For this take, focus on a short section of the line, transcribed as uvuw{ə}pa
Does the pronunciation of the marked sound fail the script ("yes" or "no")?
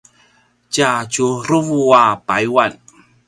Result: yes